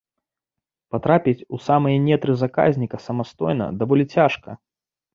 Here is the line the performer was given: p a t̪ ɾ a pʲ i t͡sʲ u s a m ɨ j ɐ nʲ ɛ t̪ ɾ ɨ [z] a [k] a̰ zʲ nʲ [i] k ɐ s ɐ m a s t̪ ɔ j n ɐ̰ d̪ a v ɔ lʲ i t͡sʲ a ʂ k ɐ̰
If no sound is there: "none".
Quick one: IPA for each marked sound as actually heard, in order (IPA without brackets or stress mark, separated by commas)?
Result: z, k, i